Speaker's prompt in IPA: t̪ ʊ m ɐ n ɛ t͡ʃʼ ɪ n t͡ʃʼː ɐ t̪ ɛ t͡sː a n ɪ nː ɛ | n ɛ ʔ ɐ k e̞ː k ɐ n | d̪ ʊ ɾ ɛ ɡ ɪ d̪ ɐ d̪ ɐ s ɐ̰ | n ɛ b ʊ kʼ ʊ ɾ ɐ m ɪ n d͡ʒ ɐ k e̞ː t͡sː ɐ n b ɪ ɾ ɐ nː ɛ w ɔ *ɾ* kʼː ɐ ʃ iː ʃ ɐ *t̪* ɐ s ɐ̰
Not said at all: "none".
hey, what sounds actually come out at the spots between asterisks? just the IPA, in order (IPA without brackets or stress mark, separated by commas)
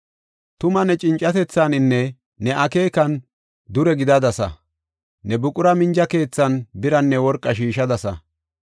ɾ, d̪